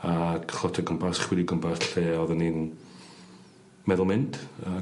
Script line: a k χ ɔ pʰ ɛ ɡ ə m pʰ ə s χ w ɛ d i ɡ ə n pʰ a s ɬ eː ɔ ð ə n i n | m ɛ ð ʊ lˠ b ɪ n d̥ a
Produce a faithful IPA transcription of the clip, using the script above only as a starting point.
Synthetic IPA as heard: a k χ ɔ tʰ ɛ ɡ ə m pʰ a s χ w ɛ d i ɡ ə m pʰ a s ɬ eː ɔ ð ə n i n | m ɛ ð ʊ lˠ m ɪ n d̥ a